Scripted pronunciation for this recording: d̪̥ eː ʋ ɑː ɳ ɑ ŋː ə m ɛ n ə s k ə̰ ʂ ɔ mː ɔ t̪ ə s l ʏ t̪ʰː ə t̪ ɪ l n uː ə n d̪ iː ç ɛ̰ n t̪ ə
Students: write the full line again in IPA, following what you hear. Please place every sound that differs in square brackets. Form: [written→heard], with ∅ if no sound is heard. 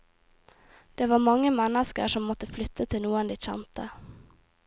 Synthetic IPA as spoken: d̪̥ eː ʋ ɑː [ɳ→m] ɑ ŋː ə m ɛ n ə s k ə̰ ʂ ɔ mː ɔ t̪ ə [s→f] l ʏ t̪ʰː ə [t̪→t̪ʰ] ɪ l n uː ə n d̪ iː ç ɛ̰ n t̪ ə